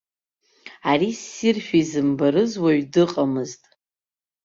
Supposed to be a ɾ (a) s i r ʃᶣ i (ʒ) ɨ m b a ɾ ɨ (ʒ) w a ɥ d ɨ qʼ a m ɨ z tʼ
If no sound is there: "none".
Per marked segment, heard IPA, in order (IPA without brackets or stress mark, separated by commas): i, z, z